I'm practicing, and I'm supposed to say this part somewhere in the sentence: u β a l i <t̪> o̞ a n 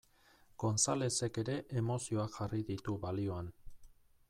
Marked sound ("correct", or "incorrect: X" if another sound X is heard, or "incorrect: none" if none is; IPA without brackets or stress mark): incorrect: none